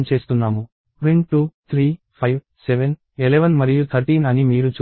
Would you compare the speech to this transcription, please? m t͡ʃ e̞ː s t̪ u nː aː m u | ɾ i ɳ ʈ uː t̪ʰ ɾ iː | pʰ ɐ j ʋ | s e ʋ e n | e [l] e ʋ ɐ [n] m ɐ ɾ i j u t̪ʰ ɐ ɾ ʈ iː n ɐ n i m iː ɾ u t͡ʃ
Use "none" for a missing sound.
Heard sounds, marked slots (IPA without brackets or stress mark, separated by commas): l, n